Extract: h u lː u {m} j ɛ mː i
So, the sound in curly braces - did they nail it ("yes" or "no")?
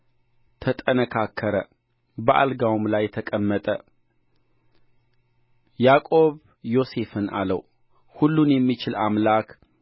no